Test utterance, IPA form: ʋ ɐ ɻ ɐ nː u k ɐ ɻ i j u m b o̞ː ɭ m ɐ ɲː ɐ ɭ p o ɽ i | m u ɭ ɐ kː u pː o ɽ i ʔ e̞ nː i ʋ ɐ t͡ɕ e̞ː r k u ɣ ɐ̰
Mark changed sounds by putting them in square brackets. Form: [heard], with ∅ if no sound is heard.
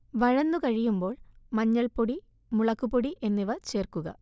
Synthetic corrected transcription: ʋ ɐ ɻ ɐ nː u k ɐ ɻ i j u m b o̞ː ɭ m ɐ ɲː ɐ ɭ p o ɽ i | m u ɭ ɐ kː u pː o ɽ i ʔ e̞ nː i ʋ ɐ t͡ɕ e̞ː r k u ɣ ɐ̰